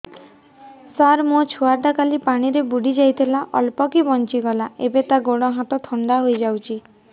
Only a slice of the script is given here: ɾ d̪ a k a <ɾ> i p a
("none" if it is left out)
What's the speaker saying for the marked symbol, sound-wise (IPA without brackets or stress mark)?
l